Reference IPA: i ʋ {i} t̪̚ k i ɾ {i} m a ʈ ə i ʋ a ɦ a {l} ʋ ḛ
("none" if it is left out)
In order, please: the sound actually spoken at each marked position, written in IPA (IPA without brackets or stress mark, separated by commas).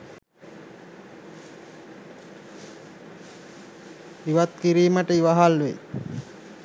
a, iː, l